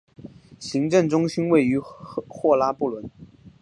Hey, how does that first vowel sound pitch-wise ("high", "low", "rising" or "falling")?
rising